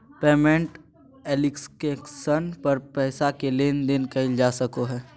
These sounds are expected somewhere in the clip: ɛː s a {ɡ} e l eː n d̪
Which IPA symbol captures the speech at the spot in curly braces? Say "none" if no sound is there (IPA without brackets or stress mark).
k